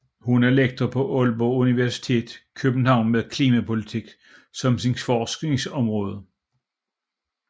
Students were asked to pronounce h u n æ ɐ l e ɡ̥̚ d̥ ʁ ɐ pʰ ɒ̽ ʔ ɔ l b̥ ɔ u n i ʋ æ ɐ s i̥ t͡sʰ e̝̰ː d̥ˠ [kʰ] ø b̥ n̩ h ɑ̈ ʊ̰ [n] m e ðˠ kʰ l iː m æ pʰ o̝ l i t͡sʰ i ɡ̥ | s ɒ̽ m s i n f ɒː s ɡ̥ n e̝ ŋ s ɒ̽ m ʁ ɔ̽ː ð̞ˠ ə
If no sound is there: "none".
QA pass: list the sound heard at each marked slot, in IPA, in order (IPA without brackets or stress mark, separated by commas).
kʰ, n